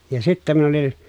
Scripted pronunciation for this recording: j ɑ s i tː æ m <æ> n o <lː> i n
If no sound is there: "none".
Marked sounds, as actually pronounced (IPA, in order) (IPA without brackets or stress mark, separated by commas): i, l